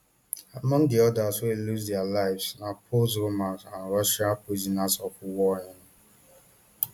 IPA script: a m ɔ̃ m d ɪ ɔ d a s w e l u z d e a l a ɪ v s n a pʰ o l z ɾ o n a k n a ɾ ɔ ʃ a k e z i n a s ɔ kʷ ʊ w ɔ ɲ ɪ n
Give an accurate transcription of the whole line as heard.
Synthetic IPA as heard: a m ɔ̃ ŋ d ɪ ɔ d a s w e l u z d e a l a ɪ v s n a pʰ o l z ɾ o m a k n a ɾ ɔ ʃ a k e z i n a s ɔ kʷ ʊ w ɔ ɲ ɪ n

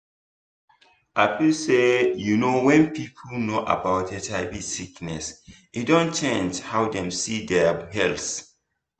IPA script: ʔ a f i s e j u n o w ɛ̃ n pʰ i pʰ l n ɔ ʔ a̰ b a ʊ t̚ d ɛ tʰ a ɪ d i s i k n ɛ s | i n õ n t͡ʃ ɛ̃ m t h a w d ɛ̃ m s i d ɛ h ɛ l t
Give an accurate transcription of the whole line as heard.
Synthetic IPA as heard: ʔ a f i s e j u n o w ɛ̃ n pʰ i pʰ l n o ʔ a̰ b a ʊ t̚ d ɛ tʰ a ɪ b i s i k n ɛ s | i d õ n t͡ʃ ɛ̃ n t h a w d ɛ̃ m s i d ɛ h ɛ l s

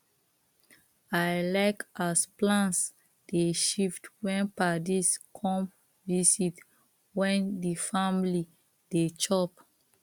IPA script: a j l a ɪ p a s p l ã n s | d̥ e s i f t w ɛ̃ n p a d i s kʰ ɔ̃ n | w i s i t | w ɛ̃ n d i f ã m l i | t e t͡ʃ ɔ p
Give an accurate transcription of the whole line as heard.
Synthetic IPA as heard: a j l a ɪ k a s p l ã n s | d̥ e ʃ i f t w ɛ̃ n p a d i s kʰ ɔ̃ m | v i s i t | w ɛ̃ n d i f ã m l i | d e t͡ʃ ɔ p

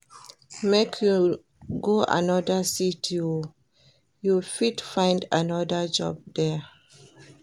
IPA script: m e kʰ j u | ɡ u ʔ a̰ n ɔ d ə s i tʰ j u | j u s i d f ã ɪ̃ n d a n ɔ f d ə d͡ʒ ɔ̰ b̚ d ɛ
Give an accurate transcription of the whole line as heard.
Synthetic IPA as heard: m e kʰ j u | ɡ o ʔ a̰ n ɔ d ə s i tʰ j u | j u f i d f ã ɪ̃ n d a n ɔ d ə d͡ʒ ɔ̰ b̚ d ɛ

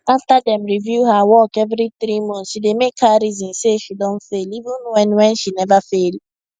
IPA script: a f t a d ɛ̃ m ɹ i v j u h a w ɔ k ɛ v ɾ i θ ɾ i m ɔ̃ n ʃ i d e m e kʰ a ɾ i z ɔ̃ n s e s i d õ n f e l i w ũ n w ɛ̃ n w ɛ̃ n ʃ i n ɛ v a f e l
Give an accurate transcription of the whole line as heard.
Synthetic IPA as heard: a f t a d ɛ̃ m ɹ i v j u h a w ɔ k ɛ v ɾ i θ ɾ i m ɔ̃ n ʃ i d e m e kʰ a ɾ i z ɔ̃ n s e ʃ i d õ n f e l i v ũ n w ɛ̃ n w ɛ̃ n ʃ i n ɛ v a f e l

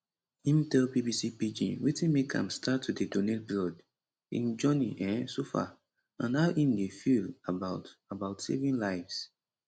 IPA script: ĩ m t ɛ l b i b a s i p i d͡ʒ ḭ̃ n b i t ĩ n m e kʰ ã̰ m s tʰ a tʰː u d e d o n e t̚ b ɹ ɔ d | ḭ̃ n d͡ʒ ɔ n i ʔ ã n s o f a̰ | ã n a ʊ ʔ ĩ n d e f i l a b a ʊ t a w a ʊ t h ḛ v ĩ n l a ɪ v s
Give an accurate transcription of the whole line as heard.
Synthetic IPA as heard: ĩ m t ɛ l b i b i s i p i d͡ʒ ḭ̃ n w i t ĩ n m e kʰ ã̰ m s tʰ a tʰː u d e d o n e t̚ b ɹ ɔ d | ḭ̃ n d͡ʒ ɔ n i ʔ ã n s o f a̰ | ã n a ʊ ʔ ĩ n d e f i l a b a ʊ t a b a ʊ t s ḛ v ĩ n l a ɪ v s

